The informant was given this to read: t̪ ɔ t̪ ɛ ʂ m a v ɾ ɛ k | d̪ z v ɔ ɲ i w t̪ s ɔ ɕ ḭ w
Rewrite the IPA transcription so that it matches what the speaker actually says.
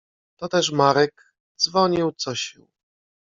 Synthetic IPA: t̪ ɔ t̪ ɛ ʂ m a ɾ ɛ k | d̪ z v ɔ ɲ i w t̪ s ɔ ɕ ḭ w